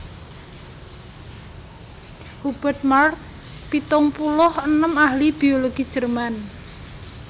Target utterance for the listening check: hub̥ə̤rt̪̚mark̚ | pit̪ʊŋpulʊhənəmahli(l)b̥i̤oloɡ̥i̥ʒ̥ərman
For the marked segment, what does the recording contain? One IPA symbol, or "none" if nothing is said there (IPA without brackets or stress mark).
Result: none